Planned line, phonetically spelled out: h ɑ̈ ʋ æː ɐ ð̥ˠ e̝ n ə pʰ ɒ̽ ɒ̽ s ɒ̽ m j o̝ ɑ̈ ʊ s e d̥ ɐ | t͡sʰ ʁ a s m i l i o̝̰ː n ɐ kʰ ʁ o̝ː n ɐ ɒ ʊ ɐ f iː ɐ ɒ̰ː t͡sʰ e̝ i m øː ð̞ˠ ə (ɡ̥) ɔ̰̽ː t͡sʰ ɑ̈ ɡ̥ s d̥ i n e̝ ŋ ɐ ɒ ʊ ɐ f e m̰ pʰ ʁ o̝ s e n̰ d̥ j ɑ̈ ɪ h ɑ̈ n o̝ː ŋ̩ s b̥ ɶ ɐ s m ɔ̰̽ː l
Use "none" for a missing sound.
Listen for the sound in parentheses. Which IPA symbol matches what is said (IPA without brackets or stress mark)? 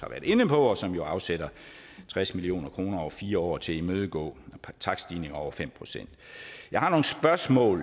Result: ɡ̥